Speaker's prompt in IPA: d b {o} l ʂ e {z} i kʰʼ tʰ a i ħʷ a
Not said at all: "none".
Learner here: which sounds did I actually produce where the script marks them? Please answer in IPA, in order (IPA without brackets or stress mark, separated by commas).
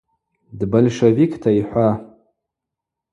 o, v